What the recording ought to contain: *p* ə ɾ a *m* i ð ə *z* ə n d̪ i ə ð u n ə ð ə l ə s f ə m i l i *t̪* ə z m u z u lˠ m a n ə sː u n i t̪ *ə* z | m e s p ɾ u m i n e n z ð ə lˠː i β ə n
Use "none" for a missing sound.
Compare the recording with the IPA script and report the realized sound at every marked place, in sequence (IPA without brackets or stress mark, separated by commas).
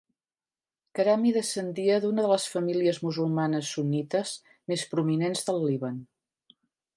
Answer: k, m, s, none, ə